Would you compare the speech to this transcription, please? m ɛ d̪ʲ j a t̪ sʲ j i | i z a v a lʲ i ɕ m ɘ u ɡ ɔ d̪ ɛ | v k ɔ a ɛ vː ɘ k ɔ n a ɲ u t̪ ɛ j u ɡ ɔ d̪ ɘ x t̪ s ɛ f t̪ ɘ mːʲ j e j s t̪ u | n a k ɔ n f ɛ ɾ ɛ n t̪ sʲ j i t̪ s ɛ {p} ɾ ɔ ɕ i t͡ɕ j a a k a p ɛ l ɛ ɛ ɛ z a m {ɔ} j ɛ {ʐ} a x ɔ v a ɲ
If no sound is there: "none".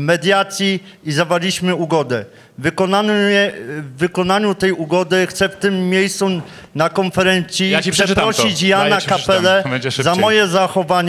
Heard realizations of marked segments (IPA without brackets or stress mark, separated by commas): p, ɔ, z